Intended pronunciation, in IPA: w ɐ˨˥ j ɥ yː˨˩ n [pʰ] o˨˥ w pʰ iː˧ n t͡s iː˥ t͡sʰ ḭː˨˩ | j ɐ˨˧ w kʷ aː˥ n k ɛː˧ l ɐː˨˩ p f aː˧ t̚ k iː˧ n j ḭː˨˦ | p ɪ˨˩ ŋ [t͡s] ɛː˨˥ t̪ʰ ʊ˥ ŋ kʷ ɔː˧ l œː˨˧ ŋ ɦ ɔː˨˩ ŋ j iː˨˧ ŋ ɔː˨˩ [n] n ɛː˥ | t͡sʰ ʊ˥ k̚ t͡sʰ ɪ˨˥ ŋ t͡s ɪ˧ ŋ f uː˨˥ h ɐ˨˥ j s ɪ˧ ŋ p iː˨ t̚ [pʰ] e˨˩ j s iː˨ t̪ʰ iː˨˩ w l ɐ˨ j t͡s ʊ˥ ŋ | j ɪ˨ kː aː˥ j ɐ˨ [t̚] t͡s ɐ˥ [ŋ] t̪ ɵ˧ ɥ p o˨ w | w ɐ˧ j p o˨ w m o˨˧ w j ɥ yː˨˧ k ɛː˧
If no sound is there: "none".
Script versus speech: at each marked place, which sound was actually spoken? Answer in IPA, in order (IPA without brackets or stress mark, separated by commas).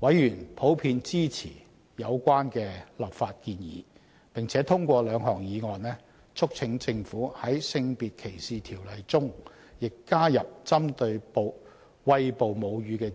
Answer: pʰ, t͡sʰ, n, kʰ, p̚, m